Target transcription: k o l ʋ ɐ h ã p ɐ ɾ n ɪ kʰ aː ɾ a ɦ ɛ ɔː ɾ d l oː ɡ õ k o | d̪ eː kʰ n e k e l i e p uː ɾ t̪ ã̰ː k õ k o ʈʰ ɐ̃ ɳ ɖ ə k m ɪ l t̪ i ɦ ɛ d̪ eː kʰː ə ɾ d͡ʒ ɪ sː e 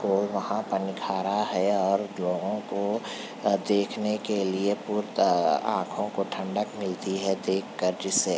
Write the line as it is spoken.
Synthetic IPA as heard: k o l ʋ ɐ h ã p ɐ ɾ n ɪ kʰ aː ɾ a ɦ ɛ ɔː ɾ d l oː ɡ õ k o | d̪ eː kʰ n e k e l i e p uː ɾ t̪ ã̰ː kʰ õ k o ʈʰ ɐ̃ ɳ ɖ ə k m ɪ l t̪ i ɦ ɛ d̪ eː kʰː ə ɾ d͡ʒ ɪ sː e